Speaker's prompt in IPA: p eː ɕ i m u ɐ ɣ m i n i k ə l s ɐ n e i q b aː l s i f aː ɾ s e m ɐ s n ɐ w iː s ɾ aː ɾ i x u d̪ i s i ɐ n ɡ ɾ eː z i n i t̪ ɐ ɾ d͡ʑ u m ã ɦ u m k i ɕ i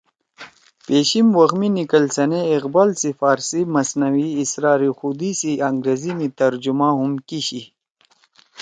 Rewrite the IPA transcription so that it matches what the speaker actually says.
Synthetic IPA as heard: p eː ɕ i m w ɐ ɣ m i n i k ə l s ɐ n e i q b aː l s i f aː ɾ s i m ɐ s n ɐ w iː s ɾ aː ɾ i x u d̪ i s i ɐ ŋ ɡ ɾ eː z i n i t̪ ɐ ɾ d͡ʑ u m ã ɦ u m k i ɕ i

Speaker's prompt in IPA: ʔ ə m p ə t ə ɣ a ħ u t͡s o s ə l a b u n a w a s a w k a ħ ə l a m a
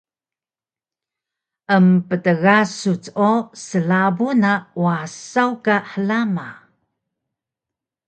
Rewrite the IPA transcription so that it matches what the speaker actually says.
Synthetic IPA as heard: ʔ ə m p ə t ə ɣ a s u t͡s o s ə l a b u n a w a s a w k a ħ ə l a m a

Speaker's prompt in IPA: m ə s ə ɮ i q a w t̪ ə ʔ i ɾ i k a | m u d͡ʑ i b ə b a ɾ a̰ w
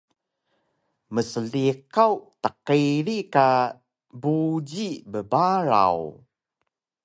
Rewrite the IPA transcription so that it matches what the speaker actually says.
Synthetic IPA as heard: m ə s ə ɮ i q a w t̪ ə q i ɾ i k a | b u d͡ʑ i b ə b a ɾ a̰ w

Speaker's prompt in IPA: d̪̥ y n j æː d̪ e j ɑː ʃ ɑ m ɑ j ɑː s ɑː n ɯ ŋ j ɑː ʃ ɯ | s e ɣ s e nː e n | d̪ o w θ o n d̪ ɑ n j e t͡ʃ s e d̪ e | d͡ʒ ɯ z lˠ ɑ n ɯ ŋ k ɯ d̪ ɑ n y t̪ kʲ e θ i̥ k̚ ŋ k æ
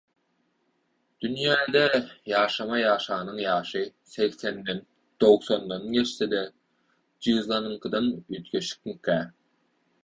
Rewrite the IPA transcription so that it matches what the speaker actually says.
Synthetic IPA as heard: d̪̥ y n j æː d̪ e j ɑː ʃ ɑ m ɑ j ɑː ʃ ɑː n ɯ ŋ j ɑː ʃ ɯ | s e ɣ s e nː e n | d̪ o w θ o n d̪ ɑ n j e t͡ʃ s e d̪ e | d͡ʒ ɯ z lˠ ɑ n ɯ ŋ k ɯ d̪ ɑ n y t̪ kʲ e ʃ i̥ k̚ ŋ k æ

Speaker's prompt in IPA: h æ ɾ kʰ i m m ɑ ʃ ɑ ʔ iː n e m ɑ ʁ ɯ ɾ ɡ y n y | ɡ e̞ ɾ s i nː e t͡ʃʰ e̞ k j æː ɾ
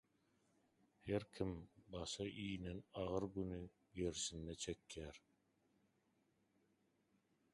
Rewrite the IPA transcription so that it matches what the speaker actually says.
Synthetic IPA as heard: h e ɾ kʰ i m b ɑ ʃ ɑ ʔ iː n e n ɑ ʁ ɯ ɾ ɡ y n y | ɡ e̞ ɾ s i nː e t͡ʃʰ e̞ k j æː ɾ

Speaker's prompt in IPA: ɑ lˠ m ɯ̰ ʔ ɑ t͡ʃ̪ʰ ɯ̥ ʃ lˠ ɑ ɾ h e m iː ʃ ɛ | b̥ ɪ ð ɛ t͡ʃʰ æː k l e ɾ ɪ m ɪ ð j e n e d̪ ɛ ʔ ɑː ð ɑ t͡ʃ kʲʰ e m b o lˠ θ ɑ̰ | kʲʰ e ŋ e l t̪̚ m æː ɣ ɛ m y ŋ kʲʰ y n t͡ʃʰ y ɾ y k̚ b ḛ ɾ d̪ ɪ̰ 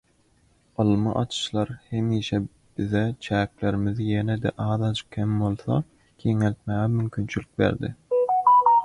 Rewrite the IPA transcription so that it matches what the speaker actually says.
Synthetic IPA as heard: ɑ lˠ m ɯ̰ ʔ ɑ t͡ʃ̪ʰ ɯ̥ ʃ lˠ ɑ ɾ h e m iː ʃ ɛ | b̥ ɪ ð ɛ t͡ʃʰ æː k l e ɾ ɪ m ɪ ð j e n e d̪ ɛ ʔ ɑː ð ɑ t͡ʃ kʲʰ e m b o lˠ θ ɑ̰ | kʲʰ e ŋ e l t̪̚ m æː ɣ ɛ m y m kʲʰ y n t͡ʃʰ y l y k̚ b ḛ ɾ d̪ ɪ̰

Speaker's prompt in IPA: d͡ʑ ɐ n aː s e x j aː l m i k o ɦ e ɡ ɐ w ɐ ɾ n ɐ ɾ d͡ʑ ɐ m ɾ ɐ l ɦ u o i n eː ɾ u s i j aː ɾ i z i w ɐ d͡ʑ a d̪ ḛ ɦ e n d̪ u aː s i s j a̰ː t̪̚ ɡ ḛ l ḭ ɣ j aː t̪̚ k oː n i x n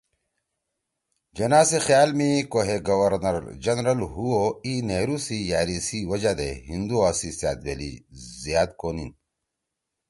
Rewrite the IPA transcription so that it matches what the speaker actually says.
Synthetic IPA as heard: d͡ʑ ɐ n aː s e x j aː l m i k o ɦ e ɡ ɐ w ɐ ɾ n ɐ ɾ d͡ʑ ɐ n ɾ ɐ l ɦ u o i n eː ɾ u s i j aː ɾ i s i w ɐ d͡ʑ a d̪ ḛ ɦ i n d̪ u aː s i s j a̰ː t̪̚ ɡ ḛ l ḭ z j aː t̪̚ k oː n i n

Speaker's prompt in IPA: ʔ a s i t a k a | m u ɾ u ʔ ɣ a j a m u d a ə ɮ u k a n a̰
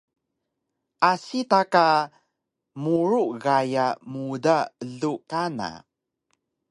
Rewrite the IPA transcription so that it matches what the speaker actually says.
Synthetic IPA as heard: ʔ a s i t a k a | m u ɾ u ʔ ɣ a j a m u d a ə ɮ u k a n a̰

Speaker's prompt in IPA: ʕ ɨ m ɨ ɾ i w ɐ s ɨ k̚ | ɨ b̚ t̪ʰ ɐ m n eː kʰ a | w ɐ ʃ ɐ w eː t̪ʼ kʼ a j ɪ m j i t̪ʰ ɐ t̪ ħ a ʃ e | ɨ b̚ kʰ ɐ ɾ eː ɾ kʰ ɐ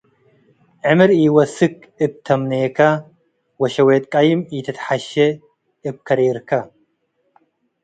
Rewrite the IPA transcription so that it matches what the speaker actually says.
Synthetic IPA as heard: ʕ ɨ m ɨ ɾ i w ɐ s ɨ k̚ | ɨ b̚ t̪ʰ ɐ m n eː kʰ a | w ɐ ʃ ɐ w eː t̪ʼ kʼ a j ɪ m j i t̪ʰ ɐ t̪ ħ a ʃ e | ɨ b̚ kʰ ɐ ɾ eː ɾ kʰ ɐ

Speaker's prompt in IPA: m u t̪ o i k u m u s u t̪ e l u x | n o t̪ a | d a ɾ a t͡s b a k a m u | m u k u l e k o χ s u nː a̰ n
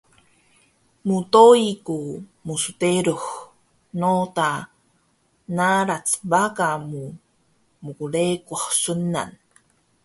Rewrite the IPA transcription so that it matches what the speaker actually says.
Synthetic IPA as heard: m u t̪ o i k u m u s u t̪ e ɾ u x | n o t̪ a | n a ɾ a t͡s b a k a m u | m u k u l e k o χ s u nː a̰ n

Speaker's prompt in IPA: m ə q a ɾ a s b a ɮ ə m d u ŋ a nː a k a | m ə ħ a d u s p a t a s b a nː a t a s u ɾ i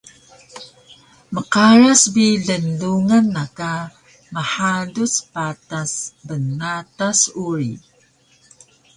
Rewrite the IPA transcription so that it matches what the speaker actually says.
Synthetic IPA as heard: m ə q a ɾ a s b i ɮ ə n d u ŋ a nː a k a | m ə ħ a d u s p a t a s b ə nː a t a s u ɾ i

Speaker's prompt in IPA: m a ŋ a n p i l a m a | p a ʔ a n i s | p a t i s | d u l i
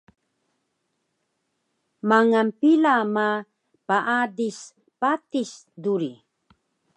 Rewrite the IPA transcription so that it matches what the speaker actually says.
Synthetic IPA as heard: m a ŋ a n p i l a m a | p a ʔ a d i s | p a t i s | d u ɾ i

